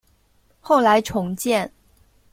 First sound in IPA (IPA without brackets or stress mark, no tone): x